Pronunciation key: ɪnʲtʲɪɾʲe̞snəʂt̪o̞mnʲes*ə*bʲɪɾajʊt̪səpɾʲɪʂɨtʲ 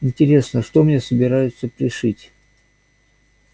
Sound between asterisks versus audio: correct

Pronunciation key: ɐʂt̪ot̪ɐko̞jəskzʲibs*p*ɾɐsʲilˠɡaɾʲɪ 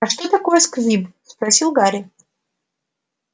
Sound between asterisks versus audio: correct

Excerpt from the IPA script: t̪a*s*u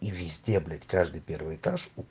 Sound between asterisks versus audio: incorrect: ʂ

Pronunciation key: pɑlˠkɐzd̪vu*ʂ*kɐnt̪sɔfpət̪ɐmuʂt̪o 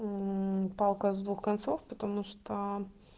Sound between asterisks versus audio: incorrect: x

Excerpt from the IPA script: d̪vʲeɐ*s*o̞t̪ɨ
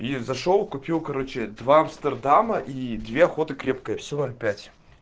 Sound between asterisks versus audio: incorrect: x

